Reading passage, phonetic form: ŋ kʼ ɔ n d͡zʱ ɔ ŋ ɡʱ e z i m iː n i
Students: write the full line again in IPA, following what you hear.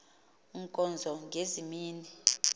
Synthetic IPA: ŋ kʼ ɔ n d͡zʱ ɔ ŋ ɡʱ e z i m iː n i